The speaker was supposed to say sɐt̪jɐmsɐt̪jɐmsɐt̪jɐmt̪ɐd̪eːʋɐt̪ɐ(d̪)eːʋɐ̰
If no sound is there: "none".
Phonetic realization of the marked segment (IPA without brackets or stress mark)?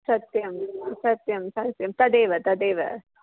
d̪